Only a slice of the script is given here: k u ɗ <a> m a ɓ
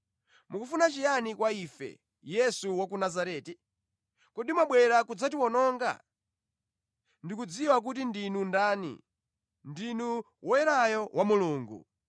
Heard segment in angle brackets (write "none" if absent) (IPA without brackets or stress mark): i